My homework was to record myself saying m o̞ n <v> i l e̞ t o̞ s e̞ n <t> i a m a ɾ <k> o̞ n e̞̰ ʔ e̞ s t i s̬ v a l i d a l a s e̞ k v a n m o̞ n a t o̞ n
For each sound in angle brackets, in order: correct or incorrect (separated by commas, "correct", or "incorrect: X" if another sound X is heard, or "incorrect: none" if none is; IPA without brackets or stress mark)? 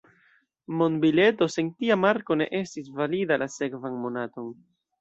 incorrect: b, correct, correct